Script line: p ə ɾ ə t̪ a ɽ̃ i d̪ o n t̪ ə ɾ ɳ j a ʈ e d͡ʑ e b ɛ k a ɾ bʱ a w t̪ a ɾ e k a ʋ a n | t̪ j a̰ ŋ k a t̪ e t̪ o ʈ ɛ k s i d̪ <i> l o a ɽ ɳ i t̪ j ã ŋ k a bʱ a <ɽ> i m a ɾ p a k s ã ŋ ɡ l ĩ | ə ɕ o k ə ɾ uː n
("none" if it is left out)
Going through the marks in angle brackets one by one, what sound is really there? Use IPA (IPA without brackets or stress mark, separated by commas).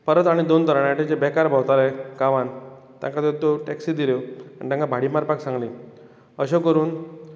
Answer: i, ɽ